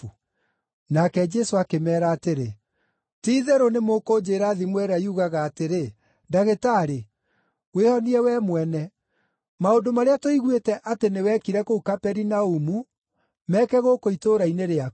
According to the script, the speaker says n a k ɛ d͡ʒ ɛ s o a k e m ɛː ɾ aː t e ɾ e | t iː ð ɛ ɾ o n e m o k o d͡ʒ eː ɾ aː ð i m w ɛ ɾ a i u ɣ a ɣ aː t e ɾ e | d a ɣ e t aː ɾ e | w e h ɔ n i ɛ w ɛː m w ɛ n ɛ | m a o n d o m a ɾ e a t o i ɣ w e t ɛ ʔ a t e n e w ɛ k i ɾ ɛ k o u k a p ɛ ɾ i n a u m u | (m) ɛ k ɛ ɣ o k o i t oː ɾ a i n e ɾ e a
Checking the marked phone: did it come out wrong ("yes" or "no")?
no